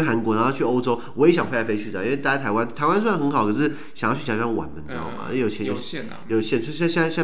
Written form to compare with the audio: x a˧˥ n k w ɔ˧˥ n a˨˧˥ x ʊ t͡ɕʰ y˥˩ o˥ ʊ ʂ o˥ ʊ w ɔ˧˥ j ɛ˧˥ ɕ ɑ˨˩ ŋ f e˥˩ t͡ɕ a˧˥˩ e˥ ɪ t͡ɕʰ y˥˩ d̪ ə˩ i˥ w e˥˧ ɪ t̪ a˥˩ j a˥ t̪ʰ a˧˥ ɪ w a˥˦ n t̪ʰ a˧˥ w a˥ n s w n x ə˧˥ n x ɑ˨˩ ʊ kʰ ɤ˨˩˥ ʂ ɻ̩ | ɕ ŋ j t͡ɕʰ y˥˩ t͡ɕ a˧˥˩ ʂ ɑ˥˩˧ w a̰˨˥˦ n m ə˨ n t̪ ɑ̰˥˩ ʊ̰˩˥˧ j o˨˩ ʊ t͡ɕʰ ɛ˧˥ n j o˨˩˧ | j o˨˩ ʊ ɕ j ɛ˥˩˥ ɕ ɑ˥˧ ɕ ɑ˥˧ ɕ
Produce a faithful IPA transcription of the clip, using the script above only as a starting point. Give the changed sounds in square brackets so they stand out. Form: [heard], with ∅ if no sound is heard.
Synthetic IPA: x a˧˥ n k w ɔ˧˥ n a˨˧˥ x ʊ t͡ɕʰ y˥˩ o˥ ʊ [ʈ͡ʂ] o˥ ʊ w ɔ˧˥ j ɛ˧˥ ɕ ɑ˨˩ ŋ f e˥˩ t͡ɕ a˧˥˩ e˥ ɪ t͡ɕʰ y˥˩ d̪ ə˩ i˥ w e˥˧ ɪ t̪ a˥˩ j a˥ t̪ʰ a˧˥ ɪ w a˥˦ n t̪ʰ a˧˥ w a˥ n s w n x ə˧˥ n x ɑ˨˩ ʊ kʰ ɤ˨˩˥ ʂ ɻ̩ | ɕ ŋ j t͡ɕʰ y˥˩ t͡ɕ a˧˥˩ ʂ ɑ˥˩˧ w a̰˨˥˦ n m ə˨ n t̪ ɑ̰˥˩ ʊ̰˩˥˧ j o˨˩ ʊ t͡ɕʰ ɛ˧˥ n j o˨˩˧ | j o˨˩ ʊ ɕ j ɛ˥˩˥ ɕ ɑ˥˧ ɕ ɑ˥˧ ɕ